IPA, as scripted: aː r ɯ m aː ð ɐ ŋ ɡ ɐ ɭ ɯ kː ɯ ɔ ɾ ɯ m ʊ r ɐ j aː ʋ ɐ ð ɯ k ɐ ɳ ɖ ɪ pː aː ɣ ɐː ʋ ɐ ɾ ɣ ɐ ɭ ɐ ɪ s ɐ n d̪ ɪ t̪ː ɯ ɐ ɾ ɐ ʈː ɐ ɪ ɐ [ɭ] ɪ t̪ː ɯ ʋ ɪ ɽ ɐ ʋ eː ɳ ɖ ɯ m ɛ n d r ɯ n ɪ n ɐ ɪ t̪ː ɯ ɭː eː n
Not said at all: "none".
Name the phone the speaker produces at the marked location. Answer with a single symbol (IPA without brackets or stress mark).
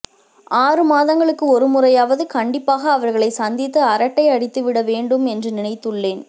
ɽ